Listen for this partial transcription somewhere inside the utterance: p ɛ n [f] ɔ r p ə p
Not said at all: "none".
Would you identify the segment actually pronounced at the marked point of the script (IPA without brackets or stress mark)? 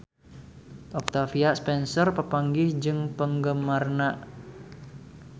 s